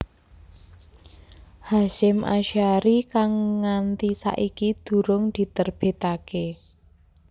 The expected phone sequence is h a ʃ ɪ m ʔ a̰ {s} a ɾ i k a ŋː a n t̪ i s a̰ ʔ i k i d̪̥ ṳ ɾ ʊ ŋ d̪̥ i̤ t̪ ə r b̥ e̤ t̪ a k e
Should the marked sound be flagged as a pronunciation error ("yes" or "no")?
yes